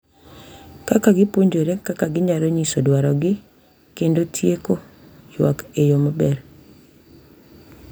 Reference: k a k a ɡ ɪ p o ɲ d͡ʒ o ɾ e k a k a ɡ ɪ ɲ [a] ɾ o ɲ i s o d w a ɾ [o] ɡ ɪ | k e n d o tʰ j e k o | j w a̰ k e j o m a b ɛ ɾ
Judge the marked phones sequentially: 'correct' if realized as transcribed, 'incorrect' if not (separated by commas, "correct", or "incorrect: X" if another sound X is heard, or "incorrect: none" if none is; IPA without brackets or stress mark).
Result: correct, incorrect: ɔ